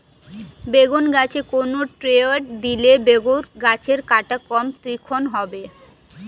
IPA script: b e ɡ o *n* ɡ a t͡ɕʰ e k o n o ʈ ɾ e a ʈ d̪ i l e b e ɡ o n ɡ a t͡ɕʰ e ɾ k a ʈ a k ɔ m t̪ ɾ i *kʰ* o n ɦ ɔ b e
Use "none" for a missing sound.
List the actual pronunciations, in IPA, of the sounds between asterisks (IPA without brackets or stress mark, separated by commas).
n, kʰ